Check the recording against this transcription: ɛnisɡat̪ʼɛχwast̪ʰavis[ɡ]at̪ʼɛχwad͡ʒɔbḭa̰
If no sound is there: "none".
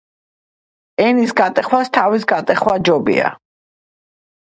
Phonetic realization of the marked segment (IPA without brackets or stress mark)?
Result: ɡ